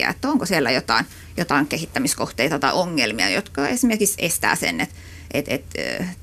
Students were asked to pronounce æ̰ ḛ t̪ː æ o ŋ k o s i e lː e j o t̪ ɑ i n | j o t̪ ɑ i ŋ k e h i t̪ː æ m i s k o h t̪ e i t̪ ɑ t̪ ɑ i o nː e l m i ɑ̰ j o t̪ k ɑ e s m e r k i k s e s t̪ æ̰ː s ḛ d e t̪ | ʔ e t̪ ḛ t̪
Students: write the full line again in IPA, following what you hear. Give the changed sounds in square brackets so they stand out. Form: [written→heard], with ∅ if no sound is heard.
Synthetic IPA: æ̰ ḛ t̪ː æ o ŋ k o s i e lː [e→æ] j o t̪ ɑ i n | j o t̪ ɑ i ŋ k e h i t̪ː æ m i s k o h t̪ e i t̪ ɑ t̪ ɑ i o [nː→ŋː] e l m i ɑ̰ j o t̪ k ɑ e s m e r k i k s e s t̪ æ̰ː s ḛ [d→n] e t̪ | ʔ e t̪ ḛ t̪